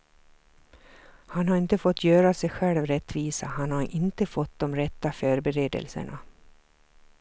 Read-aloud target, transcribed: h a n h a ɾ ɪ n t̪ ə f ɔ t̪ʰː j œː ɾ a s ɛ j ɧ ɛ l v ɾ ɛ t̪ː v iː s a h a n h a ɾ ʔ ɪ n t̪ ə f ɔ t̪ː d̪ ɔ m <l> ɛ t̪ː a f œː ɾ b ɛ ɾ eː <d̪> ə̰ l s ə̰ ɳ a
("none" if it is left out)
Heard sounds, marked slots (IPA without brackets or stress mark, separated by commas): ɾ, d̪